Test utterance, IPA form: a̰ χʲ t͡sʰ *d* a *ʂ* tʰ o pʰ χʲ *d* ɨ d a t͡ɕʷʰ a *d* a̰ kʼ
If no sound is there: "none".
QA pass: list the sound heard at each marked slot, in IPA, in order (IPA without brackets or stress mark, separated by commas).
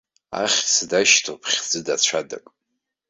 d, ʃ, d͡z, d